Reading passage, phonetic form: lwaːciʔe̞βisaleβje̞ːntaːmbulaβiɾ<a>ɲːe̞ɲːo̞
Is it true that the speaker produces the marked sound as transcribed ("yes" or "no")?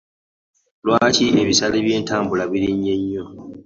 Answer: no